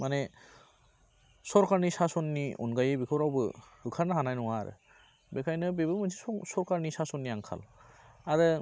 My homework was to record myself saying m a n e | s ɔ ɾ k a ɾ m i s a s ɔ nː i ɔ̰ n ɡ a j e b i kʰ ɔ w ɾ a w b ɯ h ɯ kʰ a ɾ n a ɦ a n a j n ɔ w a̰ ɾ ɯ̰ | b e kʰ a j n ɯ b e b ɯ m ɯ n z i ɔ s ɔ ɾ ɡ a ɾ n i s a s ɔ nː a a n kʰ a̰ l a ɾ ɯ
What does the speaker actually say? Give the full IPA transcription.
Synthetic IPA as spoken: m a n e | s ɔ ɾ k a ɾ n i s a s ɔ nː i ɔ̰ n ɡ a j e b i kʰ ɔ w ɾ a w b ɯ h ɯ kʰ a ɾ n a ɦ a n a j n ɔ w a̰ ɾ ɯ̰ | b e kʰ a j n ɯ b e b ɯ m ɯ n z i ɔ s ɔ ɾ k a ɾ n i s a s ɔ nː i a ŋ kʰ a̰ l a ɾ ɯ